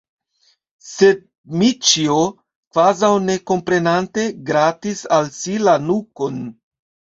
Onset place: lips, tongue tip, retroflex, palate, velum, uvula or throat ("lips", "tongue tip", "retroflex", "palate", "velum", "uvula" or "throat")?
tongue tip